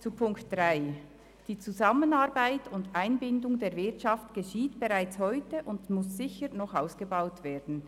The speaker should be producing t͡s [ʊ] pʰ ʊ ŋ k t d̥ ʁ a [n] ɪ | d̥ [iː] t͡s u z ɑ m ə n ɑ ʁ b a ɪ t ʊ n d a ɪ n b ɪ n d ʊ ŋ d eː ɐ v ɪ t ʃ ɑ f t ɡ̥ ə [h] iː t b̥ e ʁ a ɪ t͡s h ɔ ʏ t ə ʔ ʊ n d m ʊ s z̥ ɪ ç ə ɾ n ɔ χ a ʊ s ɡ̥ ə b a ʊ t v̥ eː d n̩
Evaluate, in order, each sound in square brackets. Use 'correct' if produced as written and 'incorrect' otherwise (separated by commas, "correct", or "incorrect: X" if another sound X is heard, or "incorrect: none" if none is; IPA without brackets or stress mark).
incorrect: u, incorrect: none, correct, incorrect: ʃ